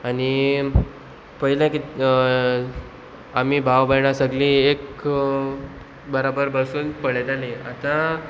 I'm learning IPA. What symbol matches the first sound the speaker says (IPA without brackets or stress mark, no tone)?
a